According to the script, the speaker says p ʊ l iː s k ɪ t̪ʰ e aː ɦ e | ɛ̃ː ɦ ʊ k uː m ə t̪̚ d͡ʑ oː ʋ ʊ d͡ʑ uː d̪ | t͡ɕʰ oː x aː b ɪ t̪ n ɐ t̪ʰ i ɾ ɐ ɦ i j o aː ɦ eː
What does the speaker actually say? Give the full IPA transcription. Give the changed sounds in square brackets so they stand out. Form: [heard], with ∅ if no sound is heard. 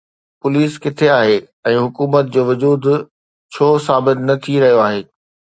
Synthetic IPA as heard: p ʊ l iː s k ɪ t̪ʰ e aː ɦ e | ɛ̃ː ɦ ʊ k uː m ə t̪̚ d͡ʑ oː ʋ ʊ d͡ʑ uː d̪ | t͡ɕʰ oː [s] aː b ɪ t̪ n ɐ t̪ʰ i ɾ ɐ ɦ i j o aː ɦ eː